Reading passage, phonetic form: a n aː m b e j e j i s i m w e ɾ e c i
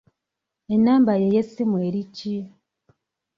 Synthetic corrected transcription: e n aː m b a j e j e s i m w e ɾ i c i